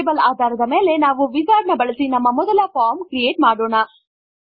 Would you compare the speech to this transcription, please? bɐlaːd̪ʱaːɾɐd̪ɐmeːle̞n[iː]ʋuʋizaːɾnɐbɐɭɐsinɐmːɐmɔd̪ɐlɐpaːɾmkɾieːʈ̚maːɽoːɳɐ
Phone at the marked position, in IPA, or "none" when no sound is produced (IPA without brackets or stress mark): aː